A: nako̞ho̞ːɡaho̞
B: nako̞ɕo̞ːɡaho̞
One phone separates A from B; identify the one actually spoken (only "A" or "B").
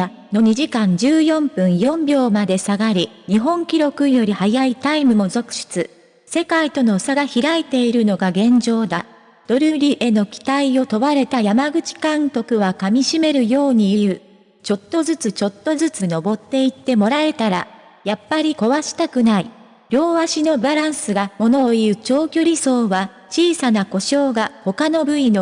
B